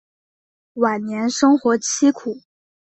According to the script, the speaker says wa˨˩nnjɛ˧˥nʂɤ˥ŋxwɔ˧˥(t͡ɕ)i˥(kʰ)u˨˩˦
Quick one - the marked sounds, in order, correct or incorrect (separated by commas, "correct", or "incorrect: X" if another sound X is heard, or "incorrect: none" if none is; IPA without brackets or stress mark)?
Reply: incorrect: t͡ɕʰ, correct